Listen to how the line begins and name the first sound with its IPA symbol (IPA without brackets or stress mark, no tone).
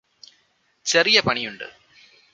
t͡ɕ